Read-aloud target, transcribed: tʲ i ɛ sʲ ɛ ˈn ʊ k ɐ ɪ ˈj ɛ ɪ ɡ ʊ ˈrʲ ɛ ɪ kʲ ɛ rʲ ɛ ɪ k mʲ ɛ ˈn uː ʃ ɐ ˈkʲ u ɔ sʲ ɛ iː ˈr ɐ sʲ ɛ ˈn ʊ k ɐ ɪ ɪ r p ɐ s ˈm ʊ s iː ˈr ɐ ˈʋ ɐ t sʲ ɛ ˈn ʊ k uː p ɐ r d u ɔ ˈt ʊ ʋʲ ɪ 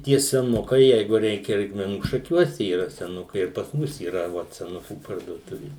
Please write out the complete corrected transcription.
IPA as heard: tʲ i ɛ sʲ ɛ ˈn ʊ k ɐ ɪ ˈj ɛ ɪ ɡ ʊ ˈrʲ ɛ ɪ kʲ ɛ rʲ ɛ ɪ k mʲ ɛ ˈn uː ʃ ɐ ˈkʲ u ɔ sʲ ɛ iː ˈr ɐ sʲ ɛ ˈn ʊ k ɐ ɪ ɪ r p ɐ s ˈm ʊ s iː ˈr ɐ ˈʋ ɐ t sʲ ɛ ˈn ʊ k uː p ɐ r d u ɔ ˈt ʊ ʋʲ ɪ